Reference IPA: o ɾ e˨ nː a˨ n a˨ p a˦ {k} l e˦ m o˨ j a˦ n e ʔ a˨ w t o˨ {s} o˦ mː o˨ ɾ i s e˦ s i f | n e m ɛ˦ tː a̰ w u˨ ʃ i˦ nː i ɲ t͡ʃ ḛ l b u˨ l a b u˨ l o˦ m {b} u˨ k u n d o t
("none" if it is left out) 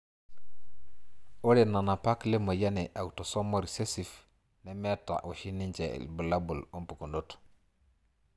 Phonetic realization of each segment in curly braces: k, s, p

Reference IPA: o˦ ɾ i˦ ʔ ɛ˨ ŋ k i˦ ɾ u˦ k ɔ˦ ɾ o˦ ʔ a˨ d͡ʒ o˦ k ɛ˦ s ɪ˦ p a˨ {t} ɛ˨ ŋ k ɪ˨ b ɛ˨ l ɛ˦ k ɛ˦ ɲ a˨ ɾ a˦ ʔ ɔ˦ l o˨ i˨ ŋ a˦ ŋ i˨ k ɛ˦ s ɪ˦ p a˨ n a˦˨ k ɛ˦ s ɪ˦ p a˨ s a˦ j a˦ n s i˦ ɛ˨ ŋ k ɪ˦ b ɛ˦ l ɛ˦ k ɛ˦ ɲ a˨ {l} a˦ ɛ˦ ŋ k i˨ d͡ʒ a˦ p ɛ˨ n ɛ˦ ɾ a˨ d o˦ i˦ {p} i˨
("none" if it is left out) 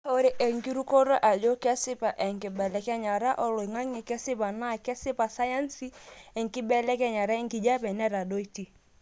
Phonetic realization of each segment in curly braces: ʔ, ɾ, t

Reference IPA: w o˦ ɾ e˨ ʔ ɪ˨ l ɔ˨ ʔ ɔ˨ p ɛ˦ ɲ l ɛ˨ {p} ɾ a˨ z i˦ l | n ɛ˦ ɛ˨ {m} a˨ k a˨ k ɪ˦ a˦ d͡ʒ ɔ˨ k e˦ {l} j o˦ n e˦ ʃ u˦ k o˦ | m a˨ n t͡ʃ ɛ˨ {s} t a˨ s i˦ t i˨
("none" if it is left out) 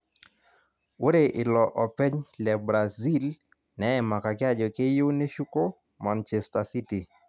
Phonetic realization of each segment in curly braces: b, m, none, s

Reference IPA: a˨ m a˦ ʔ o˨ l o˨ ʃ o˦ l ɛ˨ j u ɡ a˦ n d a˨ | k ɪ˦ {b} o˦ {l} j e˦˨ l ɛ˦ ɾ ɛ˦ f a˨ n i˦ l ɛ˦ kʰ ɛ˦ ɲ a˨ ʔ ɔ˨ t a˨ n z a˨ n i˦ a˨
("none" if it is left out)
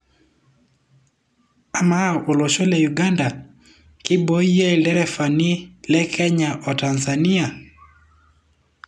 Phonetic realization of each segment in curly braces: b, none

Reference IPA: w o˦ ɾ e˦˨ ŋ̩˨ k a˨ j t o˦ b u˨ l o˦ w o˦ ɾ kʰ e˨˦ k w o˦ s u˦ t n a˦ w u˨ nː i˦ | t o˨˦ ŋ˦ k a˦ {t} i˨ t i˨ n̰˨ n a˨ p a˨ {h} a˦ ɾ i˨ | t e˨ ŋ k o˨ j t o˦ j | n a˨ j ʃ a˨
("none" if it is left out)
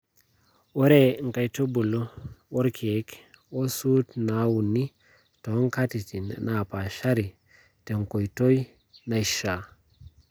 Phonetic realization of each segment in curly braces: t, ʃ

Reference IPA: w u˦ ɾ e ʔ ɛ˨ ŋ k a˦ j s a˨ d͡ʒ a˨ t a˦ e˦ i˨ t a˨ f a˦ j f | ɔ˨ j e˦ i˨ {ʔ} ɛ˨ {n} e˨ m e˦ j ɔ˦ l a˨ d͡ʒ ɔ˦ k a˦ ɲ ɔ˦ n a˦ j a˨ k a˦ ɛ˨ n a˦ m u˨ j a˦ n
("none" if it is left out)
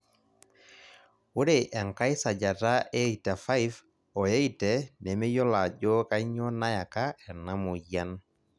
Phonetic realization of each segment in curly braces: t, n

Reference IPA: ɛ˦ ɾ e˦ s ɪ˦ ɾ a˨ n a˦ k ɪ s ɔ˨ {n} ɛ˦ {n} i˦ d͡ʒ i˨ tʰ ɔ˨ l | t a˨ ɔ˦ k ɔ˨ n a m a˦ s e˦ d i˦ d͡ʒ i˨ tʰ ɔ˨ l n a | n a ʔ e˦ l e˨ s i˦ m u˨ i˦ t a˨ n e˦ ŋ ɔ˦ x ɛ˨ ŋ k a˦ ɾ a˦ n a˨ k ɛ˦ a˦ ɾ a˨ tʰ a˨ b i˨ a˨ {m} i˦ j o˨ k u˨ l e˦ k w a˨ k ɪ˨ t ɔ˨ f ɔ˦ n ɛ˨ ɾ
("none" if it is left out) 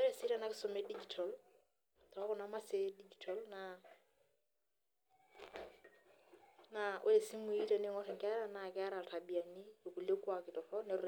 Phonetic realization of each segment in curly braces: m, d, n

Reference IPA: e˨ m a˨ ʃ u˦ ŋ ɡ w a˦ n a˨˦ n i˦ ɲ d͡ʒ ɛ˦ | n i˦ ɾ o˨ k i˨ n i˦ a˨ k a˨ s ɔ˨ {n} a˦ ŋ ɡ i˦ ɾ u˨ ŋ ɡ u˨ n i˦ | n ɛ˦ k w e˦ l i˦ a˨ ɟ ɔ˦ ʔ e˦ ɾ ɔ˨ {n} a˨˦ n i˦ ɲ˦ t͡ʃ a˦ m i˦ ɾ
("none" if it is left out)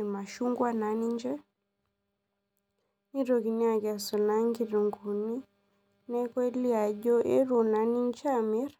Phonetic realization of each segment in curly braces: n, n

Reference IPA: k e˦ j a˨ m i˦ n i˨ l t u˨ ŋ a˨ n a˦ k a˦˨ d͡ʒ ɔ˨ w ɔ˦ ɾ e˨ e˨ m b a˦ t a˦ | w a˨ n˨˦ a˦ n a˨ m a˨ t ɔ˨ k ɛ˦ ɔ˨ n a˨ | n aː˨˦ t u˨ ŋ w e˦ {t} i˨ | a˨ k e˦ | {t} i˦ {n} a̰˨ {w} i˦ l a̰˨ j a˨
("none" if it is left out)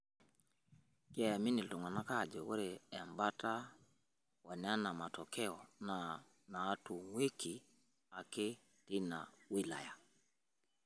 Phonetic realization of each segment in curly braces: k, t, n, w

